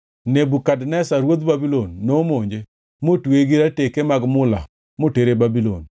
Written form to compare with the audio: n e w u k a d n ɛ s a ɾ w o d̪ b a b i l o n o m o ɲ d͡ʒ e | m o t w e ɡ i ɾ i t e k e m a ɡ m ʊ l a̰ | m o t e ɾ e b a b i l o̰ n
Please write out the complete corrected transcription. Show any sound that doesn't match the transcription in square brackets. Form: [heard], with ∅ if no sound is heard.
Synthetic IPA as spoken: n e [b] u k a d n ɛ s a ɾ w o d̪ b a b i l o [nː] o m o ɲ d͡ʒ e | m o t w e ɡ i ɾ [a] t e k e m a ɡ m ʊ l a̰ | m o t e ɾ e b a b i l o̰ n